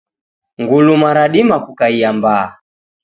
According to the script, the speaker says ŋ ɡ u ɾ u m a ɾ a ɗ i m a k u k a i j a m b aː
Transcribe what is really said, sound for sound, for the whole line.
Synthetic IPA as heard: ŋ ɡ u l u m a ɾ a ɗ i m a k u k a i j a m b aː